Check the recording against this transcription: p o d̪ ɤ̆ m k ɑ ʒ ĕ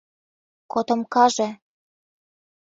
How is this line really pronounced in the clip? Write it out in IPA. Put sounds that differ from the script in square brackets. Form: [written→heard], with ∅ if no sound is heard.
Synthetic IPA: [p→k] o [d̪→t̪] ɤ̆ m k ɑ ʒ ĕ